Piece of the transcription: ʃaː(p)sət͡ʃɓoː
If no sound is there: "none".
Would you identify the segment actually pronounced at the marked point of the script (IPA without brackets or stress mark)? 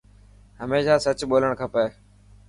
none